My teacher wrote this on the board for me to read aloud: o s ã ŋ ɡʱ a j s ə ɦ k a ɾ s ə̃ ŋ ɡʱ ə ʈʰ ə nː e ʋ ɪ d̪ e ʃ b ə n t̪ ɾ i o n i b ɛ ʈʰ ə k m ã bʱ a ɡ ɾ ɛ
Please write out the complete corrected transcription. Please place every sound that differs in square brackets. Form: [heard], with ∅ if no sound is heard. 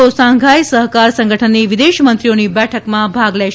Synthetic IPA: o s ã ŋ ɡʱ a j s ə ɦ k a ɾ s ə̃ ŋ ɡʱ ə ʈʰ ə nː [i] ʋ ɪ d̪ e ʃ [m] ə n t̪ ɾ i o n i b ɛ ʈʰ ə k m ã bʱ a ɡ [l] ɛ